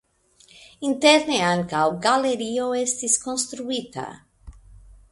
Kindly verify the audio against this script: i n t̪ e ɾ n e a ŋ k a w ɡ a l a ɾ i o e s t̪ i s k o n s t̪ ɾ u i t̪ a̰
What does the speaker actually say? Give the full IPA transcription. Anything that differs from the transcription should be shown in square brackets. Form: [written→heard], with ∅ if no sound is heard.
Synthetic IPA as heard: i n t̪ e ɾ n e a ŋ k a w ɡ a l [a→e] ɾ i o e s t̪ i s k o n s t̪ ɾ u i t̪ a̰